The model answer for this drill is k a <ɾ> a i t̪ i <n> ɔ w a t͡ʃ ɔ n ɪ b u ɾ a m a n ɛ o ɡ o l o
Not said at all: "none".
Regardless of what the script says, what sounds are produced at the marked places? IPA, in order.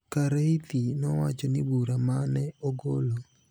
ɾ, n

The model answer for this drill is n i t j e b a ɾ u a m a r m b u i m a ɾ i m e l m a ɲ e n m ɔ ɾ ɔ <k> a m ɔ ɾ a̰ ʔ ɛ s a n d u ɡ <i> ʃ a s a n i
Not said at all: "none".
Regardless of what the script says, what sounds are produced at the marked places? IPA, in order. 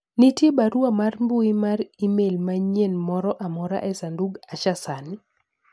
ʔ, a

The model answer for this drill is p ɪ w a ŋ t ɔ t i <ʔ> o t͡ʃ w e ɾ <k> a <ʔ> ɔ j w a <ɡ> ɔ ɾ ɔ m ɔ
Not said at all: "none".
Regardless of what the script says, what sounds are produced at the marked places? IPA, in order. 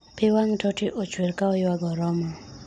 ʔ, k, none, ɡ

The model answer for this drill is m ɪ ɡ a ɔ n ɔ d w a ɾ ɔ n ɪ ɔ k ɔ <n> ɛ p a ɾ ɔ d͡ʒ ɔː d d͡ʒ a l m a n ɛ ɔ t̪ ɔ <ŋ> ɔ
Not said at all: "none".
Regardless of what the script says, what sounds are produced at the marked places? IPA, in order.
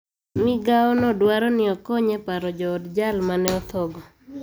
ɲ, ɡ

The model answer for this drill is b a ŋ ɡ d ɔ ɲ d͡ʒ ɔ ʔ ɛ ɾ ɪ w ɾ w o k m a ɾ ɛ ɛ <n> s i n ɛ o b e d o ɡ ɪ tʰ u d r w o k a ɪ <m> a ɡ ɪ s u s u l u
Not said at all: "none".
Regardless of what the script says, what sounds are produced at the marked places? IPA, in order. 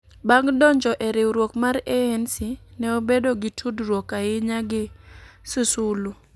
n, ɲ

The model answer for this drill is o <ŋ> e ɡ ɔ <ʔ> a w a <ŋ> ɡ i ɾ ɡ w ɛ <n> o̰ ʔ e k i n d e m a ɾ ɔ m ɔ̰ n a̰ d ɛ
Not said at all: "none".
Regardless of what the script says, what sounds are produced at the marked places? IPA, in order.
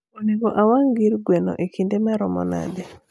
n, ʔ, ŋ, n

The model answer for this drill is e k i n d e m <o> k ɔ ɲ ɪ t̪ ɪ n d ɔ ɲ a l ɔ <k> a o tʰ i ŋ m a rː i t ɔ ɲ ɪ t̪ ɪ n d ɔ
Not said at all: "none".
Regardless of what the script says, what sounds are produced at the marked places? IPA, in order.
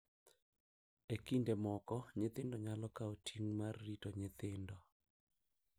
ɔ, k

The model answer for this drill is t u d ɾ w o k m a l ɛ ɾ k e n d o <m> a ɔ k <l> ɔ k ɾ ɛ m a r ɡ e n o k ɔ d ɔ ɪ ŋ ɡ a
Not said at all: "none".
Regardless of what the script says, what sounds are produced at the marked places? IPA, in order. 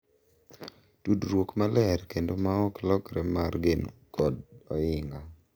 m, l

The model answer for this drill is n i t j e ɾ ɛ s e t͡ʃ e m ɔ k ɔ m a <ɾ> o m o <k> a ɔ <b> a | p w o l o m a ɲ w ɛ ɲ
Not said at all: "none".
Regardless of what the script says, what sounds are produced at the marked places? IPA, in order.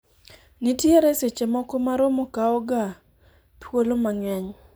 ɾ, k, ɡ

